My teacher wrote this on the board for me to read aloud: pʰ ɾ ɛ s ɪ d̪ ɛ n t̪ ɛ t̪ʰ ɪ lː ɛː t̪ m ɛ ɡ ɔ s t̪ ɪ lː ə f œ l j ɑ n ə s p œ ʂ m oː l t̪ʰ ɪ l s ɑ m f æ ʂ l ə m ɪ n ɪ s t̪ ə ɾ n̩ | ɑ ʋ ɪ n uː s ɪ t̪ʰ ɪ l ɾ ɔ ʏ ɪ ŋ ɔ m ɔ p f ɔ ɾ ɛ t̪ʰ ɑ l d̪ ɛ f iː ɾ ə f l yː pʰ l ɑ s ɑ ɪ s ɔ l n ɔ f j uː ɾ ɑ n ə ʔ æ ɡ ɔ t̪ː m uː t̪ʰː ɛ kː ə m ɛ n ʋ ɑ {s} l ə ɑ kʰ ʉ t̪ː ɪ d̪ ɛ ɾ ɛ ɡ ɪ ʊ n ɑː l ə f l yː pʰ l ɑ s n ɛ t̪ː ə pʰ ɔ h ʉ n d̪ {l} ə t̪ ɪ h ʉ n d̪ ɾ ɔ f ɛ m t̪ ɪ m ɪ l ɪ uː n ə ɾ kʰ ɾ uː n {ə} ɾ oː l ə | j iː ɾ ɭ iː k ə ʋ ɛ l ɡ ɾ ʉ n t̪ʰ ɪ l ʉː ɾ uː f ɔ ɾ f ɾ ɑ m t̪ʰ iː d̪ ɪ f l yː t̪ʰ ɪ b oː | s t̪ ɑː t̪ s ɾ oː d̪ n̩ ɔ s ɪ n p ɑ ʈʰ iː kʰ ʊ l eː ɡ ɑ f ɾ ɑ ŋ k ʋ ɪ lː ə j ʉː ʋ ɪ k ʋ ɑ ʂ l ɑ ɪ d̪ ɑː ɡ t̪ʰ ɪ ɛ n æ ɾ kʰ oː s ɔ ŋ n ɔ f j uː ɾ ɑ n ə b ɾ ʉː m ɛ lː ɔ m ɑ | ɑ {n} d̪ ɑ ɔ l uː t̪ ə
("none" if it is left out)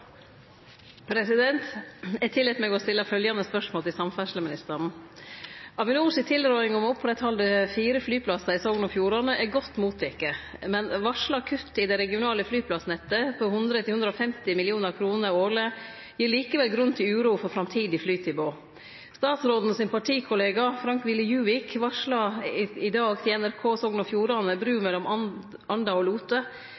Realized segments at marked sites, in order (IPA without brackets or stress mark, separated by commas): ʂ, ɾ, ə, n